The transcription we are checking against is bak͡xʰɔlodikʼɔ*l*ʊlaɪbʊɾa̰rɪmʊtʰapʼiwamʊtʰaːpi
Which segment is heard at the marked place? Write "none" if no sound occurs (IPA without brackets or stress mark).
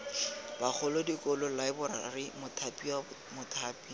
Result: l